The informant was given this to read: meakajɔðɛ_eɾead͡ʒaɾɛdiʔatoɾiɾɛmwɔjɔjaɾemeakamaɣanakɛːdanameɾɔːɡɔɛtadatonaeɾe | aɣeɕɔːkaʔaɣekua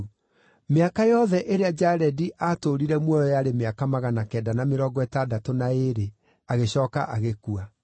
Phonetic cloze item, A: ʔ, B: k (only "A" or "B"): A